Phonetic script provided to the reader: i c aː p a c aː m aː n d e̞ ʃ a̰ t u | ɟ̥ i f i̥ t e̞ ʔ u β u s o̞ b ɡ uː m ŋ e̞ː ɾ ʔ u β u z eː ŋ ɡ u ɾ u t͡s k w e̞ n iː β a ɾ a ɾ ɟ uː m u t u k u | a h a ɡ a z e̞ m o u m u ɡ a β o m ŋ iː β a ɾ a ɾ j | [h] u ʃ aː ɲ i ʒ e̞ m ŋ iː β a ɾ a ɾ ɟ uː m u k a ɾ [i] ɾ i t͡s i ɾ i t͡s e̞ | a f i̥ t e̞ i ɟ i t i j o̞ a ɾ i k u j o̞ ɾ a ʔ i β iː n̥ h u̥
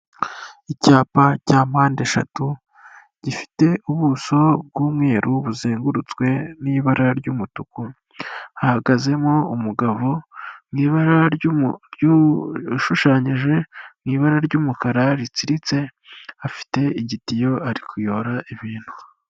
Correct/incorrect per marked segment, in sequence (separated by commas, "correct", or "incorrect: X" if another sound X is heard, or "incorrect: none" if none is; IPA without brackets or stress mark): incorrect: ʃ, incorrect: a